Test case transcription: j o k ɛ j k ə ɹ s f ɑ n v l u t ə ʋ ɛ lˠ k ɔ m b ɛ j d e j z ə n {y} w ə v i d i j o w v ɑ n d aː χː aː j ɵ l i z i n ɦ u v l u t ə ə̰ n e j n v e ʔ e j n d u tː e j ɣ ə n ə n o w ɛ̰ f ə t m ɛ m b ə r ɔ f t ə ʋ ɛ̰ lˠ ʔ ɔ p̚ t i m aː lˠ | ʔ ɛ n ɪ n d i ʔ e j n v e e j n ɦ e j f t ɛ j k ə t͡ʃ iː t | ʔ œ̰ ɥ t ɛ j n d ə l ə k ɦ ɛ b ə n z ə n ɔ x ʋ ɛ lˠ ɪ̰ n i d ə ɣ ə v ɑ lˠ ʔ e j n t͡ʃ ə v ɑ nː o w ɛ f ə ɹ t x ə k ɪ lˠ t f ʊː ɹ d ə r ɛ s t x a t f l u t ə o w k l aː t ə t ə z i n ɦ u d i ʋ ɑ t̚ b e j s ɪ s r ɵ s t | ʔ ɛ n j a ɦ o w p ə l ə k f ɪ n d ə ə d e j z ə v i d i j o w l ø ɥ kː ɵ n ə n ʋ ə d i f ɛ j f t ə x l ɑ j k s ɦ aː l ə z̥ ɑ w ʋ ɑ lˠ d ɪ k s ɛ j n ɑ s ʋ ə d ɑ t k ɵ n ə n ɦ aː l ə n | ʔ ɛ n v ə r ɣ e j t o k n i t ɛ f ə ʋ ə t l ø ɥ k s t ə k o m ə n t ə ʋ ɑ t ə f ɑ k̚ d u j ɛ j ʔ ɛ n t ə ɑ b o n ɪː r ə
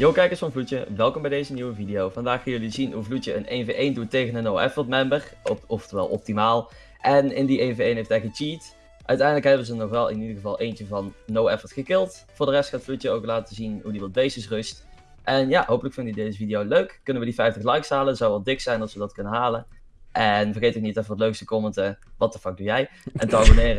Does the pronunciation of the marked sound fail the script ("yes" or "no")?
yes